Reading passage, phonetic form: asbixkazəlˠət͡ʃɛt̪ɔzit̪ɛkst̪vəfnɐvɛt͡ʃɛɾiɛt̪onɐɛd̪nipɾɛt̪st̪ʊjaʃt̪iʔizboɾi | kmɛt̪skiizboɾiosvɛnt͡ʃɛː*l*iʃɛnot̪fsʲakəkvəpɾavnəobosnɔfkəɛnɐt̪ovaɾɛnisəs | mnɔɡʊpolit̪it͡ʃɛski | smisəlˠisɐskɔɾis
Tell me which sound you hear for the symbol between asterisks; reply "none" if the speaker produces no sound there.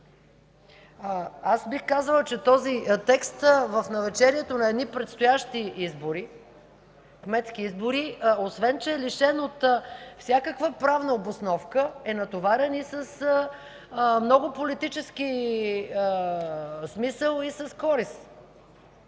l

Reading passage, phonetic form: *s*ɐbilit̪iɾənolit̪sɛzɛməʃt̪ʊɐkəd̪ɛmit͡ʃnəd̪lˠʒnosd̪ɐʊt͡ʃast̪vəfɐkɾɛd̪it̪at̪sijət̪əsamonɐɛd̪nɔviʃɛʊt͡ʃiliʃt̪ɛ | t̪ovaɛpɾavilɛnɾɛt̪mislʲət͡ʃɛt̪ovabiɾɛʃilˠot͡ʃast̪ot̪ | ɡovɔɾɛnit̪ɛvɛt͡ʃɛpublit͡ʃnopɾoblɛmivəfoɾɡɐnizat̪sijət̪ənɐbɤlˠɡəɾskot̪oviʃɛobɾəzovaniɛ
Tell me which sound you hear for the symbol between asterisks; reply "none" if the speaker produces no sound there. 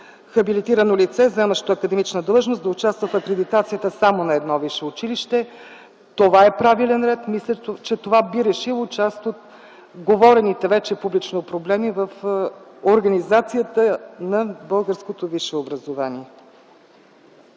x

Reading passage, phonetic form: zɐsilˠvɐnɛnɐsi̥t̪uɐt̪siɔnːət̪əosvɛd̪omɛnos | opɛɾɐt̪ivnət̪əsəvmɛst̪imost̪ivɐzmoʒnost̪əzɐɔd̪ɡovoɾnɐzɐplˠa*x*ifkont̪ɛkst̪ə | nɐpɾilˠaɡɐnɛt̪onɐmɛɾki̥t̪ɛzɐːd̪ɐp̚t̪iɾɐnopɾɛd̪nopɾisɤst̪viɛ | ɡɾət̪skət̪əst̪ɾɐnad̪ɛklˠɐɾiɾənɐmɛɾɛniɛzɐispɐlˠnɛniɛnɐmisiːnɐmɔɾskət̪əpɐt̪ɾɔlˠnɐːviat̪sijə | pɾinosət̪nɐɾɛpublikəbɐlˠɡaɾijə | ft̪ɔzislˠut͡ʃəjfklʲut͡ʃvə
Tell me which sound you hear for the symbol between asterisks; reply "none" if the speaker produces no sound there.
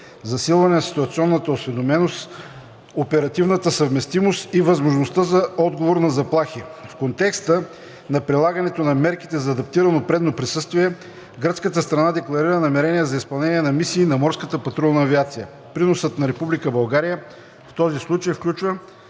x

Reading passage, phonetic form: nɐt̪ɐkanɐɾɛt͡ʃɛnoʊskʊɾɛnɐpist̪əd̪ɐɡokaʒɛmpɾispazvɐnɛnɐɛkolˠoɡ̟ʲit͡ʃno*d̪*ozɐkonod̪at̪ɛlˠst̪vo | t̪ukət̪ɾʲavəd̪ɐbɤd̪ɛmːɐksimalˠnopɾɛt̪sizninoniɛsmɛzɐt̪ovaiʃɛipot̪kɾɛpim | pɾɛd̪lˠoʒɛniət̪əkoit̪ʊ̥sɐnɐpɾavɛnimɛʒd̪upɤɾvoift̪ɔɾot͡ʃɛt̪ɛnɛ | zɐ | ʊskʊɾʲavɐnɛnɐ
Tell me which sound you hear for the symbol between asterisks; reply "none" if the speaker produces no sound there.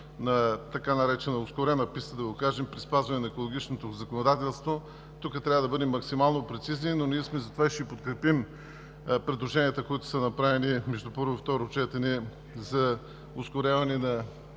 t̪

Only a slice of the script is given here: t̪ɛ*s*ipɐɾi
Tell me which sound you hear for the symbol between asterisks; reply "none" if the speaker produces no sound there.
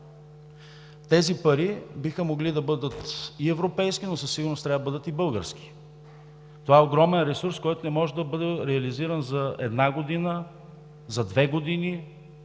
z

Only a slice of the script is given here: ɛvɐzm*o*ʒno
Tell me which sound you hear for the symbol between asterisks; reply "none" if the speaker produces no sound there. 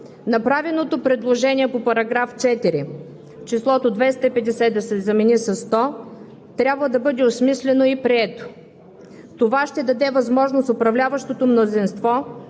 ɔ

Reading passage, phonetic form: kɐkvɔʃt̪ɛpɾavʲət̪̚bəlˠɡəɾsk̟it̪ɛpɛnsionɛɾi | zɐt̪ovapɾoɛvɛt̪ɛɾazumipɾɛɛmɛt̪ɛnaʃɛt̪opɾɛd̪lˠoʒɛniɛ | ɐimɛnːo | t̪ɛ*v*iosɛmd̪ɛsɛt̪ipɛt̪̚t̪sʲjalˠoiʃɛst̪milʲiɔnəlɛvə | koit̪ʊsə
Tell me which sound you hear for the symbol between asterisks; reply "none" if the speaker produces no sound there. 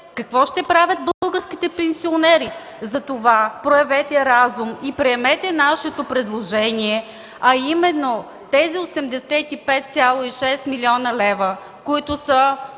z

